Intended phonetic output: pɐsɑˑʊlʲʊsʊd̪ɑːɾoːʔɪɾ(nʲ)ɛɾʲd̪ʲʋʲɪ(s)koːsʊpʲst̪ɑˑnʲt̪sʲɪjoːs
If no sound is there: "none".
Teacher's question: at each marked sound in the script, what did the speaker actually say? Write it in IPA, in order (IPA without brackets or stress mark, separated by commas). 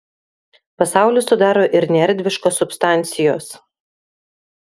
nʲ, ʃ